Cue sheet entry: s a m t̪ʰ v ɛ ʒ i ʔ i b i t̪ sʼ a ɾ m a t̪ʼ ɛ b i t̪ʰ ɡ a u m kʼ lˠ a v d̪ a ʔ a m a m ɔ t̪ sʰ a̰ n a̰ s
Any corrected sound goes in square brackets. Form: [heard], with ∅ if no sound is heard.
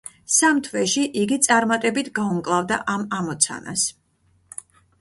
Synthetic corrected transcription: s a m t̪ʰ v ɛ [ʃ] i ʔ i [ɡ] i t̪ sʼ a ɾ m a t̪ʼ ɛ b i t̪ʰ ɡ a u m kʼ lˠ a v d̪ a ʔ a m a m ɔ t̪ sʰ a̰ n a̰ s